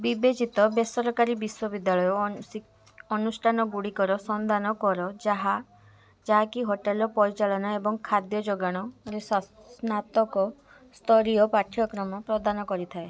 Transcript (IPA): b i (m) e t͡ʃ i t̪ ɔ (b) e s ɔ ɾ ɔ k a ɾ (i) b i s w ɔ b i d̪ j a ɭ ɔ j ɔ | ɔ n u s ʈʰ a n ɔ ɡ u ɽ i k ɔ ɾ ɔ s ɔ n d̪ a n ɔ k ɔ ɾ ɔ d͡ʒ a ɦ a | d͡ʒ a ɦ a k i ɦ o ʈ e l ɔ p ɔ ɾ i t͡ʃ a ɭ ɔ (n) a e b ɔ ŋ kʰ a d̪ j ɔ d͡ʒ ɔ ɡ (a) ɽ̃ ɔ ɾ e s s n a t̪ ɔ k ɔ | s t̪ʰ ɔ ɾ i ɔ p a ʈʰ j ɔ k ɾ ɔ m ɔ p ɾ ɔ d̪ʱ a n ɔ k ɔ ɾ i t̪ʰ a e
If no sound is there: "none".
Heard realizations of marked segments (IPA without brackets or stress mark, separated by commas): b, b, i, n, a